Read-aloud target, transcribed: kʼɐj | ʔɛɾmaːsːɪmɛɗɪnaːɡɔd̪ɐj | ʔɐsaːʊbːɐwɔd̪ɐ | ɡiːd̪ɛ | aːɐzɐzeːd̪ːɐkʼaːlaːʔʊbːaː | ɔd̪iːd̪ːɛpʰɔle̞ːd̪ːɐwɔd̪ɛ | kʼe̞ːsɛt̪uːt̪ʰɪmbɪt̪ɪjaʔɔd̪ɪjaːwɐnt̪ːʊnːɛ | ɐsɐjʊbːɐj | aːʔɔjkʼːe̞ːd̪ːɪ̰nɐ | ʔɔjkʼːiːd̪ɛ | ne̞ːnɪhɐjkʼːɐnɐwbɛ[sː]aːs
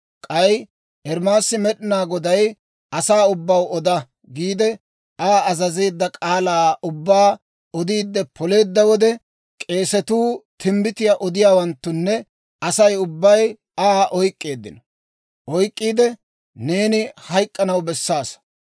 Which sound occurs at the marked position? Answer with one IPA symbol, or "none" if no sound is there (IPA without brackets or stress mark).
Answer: sː